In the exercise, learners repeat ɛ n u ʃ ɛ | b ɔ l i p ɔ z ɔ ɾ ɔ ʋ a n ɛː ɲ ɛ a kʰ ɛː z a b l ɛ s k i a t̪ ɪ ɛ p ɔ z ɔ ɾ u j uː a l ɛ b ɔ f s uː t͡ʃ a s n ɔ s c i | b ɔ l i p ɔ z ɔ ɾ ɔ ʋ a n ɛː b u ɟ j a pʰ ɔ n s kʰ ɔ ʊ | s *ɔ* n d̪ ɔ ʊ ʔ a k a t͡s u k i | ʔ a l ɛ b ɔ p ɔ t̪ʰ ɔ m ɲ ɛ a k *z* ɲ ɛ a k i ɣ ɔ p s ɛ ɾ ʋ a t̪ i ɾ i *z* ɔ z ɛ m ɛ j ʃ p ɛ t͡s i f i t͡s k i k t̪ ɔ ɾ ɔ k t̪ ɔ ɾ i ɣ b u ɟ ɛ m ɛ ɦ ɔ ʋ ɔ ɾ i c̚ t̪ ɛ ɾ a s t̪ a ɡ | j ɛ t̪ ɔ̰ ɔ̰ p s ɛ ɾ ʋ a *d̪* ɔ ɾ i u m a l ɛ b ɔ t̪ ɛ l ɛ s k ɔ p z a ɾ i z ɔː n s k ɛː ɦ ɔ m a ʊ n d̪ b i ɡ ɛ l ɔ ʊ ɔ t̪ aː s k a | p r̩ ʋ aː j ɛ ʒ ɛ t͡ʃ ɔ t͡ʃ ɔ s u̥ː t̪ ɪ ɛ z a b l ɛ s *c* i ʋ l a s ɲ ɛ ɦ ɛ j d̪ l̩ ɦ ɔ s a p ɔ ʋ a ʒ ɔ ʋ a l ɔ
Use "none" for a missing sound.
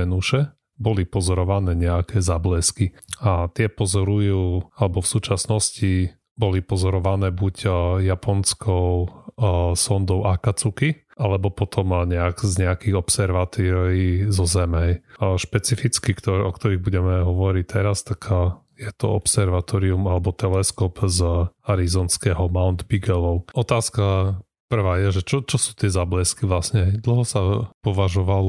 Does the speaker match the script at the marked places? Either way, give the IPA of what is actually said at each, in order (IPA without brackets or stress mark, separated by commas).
ɔ, z, z, t̪, k